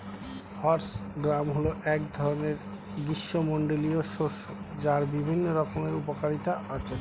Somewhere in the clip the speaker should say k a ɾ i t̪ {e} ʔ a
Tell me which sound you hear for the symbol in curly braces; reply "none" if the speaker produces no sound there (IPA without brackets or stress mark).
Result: a